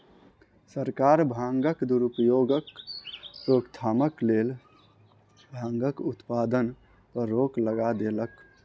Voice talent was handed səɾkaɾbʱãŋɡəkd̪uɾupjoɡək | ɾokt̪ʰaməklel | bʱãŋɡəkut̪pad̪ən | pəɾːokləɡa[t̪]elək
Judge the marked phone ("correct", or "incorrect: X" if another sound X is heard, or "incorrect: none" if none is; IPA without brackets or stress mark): incorrect: d̪